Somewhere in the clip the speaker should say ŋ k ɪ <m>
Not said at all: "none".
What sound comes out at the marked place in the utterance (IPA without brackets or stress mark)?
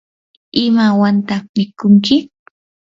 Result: none